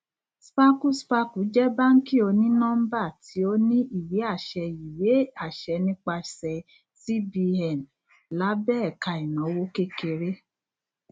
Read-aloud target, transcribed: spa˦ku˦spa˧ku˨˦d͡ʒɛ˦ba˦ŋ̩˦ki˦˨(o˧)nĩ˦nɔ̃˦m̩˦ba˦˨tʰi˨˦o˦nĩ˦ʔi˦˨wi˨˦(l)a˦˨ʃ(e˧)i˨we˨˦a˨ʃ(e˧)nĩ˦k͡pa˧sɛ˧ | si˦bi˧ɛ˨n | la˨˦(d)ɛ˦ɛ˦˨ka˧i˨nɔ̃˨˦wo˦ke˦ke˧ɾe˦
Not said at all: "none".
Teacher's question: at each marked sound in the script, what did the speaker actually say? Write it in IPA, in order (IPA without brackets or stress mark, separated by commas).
o˧, none, ɛ˧, ɛ˧, b